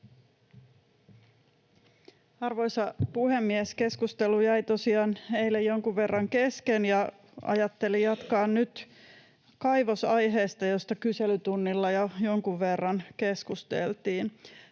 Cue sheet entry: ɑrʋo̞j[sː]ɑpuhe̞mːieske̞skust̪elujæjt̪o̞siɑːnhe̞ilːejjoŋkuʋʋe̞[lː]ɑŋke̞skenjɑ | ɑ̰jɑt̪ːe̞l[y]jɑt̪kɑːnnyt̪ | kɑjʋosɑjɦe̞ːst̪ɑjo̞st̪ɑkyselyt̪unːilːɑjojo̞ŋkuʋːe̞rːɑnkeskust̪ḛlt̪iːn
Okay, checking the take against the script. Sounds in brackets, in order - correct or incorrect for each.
incorrect, incorrect, incorrect

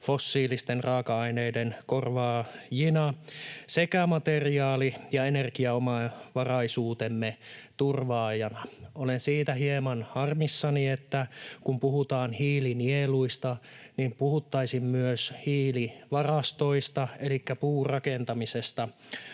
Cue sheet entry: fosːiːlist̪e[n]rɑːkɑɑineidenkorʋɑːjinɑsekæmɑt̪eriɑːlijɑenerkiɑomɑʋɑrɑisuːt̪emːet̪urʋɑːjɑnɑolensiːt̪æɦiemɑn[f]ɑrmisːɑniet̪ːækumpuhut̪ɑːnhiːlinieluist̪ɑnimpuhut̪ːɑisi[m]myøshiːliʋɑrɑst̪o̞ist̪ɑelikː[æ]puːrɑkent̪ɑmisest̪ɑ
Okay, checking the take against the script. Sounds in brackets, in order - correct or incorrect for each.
correct, incorrect, correct, correct

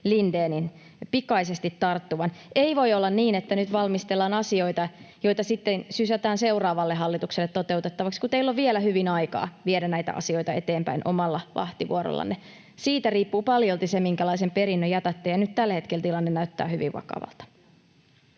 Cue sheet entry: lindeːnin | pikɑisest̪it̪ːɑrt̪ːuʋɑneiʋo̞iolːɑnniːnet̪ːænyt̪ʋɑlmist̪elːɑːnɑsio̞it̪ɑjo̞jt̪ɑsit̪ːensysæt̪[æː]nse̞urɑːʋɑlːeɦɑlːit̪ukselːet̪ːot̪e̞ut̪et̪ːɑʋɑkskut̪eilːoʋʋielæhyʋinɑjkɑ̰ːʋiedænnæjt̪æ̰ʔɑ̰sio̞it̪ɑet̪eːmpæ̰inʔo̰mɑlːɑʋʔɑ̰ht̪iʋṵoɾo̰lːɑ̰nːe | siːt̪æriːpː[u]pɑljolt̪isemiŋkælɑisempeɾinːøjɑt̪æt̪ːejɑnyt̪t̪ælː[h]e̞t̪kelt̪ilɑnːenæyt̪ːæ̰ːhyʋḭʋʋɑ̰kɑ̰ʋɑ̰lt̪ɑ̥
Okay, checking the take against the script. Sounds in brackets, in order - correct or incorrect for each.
correct, incorrect, correct

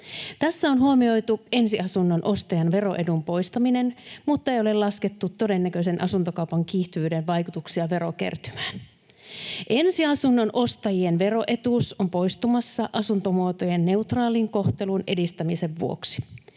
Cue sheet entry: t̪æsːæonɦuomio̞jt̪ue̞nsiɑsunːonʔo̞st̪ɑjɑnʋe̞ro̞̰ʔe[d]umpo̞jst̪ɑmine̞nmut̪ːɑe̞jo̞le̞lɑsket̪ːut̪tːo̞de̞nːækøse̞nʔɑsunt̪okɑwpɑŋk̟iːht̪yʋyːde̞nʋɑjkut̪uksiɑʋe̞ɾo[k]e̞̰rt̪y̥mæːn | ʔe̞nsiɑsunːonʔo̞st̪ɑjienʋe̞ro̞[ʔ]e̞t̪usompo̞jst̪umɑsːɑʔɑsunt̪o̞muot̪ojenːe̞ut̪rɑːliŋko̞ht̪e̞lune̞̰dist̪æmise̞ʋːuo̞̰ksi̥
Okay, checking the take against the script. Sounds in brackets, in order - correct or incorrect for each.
correct, correct, correct

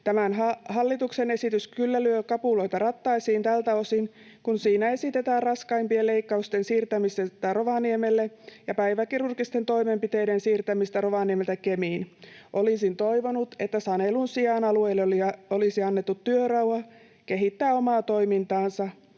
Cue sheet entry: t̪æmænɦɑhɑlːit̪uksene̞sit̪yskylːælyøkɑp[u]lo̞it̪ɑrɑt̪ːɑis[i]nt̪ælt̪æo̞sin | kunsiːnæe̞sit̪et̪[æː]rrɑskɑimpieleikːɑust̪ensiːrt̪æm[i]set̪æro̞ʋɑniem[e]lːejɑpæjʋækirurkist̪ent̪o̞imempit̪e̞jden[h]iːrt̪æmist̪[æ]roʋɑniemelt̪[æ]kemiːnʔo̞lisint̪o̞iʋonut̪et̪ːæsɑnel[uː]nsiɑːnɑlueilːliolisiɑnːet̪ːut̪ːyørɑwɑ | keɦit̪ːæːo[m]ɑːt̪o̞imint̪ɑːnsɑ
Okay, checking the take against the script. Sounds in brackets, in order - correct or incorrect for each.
correct, incorrect, correct, correct, correct, incorrect, correct, correct, incorrect, correct

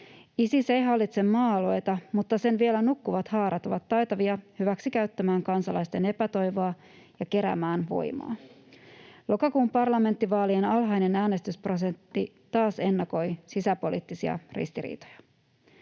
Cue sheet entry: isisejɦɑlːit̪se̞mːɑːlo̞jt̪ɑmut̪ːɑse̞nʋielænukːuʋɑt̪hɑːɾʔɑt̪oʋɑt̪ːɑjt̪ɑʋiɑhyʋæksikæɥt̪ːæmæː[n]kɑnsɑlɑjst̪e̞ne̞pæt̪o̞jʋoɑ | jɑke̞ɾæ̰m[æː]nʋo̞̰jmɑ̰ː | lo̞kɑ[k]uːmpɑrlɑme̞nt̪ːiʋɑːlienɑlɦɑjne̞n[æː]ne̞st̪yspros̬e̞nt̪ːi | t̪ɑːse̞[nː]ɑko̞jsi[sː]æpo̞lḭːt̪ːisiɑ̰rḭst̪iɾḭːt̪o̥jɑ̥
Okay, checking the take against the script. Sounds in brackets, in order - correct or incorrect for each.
incorrect, correct, correct, correct, correct, incorrect

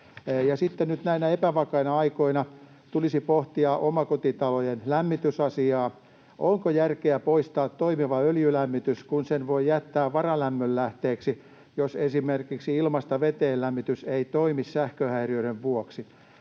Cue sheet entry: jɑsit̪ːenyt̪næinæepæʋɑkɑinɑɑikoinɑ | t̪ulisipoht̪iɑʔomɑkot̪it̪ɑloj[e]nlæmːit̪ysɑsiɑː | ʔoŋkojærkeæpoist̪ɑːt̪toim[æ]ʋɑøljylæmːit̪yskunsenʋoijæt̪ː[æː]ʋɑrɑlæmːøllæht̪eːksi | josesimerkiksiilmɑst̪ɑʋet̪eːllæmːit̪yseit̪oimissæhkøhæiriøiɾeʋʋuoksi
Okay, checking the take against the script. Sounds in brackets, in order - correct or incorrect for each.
correct, incorrect, correct

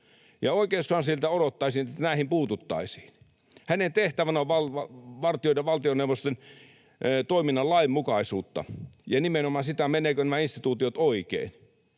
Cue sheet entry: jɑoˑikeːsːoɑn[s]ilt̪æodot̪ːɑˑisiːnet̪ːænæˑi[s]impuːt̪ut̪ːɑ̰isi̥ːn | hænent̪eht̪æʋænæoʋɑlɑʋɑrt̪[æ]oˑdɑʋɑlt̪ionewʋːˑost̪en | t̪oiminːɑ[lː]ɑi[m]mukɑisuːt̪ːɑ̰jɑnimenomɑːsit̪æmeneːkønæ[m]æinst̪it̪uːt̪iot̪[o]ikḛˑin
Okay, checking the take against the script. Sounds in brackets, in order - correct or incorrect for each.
correct, incorrect, incorrect, incorrect, correct, correct, correct

